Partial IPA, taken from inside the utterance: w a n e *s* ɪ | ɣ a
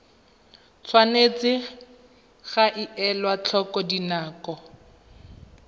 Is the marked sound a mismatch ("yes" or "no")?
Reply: yes